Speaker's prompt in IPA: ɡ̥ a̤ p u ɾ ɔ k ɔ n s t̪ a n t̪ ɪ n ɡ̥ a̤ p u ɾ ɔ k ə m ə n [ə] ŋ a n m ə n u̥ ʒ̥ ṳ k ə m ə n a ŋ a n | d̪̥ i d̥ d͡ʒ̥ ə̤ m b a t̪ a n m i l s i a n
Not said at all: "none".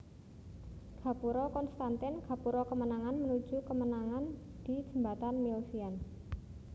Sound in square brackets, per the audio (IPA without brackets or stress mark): a